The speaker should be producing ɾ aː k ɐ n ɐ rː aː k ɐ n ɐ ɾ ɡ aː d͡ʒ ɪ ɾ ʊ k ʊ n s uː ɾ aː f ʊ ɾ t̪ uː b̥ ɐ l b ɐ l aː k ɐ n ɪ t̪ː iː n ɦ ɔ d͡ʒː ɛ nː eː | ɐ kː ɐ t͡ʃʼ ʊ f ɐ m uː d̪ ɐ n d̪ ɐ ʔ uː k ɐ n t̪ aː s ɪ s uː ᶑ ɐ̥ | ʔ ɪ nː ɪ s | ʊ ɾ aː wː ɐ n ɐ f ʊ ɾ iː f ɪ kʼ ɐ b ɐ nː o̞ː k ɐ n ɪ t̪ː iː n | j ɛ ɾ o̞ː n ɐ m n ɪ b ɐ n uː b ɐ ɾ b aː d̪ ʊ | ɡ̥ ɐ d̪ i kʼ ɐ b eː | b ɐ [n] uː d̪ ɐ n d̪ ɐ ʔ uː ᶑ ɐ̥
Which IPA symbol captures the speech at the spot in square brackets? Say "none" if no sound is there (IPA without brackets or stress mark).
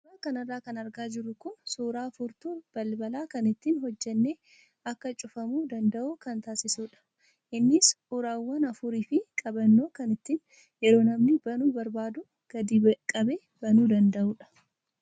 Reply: n